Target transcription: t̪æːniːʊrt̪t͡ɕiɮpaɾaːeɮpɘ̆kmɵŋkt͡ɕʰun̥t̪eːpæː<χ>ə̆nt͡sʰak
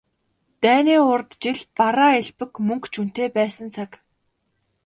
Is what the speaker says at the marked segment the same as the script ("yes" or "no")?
no